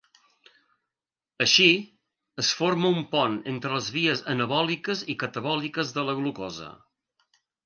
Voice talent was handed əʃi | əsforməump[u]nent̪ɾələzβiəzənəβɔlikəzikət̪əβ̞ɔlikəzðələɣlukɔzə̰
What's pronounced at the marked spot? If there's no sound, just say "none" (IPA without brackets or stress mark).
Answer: ɔ